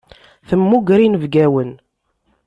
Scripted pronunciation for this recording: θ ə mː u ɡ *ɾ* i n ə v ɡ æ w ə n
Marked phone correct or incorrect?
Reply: correct